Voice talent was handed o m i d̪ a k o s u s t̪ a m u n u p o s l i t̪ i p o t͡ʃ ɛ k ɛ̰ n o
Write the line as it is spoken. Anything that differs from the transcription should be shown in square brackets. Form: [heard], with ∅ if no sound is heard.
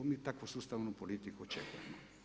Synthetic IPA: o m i [t̪] a k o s u s t̪ a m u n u p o [∅] l i t̪ i [k] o t͡ʃ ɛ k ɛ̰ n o